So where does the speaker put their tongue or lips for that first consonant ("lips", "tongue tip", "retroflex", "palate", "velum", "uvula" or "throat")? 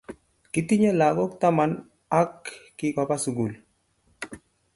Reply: velum